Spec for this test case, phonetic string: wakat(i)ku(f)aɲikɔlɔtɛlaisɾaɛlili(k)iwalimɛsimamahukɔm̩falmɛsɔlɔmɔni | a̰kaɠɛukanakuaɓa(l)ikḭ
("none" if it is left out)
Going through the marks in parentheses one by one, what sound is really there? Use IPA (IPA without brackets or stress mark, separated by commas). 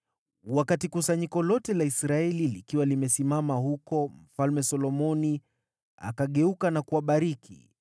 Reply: i, s, k, ɾ